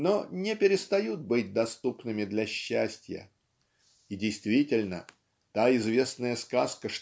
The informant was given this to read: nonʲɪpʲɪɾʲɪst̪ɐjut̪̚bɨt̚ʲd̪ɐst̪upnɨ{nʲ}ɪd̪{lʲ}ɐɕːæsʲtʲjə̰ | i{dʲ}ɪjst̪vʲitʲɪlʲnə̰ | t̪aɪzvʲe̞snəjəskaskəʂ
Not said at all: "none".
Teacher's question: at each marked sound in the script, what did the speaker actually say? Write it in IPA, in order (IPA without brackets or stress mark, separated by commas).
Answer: mʲ, lʲ, dʲ